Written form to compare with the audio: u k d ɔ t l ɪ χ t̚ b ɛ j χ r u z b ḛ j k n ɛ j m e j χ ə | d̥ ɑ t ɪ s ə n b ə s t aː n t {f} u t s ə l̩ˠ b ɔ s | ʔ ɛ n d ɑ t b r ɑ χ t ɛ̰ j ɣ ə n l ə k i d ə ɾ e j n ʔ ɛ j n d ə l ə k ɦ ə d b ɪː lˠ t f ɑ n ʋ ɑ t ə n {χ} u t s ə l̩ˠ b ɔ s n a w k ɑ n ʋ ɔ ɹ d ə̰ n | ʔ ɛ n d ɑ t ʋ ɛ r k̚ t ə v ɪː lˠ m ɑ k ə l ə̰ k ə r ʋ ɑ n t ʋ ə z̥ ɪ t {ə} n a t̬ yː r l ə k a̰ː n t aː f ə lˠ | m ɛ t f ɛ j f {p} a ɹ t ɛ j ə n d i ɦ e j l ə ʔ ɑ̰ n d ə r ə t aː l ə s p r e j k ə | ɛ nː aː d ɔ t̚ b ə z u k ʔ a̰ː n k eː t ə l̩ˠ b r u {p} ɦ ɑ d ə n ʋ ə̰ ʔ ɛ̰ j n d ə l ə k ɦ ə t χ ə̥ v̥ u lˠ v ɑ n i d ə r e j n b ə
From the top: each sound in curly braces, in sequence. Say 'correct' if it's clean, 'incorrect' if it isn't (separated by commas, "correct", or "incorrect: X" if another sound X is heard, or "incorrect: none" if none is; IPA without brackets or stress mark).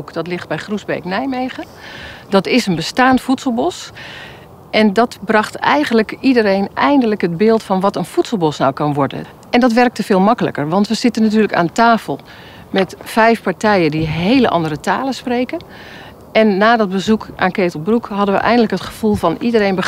correct, incorrect: f, correct, correct, incorrect: k